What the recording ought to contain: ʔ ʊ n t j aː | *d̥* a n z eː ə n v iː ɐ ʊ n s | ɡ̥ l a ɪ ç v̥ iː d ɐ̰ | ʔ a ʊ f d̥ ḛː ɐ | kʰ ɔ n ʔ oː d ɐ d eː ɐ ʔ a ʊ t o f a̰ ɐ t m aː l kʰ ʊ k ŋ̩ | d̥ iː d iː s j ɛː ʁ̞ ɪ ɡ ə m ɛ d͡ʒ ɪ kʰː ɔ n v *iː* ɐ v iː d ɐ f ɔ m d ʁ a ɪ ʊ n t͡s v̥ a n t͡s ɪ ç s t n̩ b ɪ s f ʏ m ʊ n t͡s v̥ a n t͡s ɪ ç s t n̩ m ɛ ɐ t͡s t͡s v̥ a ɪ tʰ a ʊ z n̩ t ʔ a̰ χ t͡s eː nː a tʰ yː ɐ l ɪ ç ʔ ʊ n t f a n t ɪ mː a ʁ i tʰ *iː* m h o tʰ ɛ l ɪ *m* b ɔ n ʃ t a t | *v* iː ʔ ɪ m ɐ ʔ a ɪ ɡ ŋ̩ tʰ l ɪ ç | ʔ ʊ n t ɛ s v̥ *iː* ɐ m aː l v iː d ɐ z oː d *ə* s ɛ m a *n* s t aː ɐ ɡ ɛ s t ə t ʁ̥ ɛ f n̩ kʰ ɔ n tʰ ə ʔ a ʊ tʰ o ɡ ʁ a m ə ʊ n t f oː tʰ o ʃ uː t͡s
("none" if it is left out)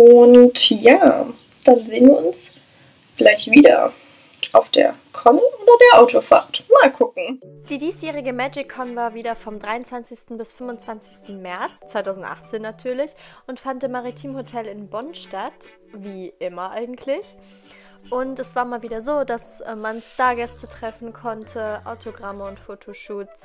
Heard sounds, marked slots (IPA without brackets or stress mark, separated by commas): d̥, aː, iː, n, v, aː, a, n